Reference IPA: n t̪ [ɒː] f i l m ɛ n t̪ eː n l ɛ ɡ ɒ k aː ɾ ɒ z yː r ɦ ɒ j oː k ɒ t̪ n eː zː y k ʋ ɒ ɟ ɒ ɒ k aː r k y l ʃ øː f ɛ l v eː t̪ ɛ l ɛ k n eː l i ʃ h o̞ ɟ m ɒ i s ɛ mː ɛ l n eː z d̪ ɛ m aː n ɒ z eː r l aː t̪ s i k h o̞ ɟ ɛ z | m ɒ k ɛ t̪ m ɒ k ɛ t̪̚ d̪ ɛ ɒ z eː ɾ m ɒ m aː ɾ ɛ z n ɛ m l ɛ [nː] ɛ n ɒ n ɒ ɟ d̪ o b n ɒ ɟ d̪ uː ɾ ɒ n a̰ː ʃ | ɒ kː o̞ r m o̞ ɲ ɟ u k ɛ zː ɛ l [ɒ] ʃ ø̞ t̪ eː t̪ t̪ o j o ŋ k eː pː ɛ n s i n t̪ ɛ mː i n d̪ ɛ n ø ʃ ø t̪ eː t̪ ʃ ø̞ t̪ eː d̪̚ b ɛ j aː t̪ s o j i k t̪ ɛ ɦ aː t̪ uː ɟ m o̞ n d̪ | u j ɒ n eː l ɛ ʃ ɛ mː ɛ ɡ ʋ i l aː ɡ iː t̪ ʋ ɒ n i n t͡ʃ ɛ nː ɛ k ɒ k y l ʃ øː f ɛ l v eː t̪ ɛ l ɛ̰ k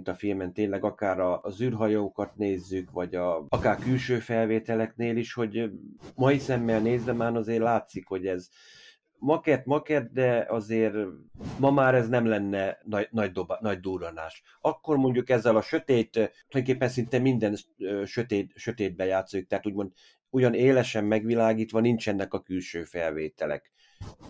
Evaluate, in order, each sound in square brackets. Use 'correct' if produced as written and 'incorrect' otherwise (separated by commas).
incorrect, correct, correct